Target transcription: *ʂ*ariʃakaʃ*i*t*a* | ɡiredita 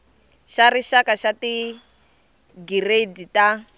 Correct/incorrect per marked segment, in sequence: incorrect, incorrect, incorrect

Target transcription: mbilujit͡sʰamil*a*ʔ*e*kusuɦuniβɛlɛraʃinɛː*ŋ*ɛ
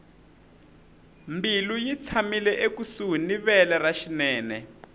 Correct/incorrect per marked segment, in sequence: incorrect, correct, incorrect

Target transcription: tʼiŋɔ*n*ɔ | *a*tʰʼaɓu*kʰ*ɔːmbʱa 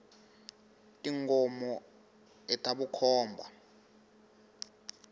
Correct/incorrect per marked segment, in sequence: incorrect, incorrect, correct

